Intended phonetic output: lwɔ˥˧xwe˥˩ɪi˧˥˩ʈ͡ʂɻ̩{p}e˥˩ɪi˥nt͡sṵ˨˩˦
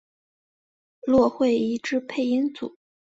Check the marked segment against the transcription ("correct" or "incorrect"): incorrect